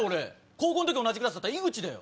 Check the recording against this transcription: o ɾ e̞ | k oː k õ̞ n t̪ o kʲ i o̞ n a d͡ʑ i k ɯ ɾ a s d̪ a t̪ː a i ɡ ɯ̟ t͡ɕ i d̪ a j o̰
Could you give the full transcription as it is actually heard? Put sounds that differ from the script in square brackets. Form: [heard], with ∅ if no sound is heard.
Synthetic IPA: o ɾ e̞ | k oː k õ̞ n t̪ o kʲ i o̞ n a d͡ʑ i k ɯ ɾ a s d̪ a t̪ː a i ɡ ɯ̟ t͡ɕ i d̪ a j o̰